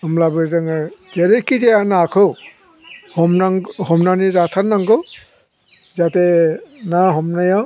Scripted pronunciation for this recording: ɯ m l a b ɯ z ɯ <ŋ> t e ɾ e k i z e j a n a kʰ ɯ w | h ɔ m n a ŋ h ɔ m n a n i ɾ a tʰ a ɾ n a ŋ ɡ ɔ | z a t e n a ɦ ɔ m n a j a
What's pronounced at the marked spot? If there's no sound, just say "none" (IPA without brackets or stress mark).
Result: ŋ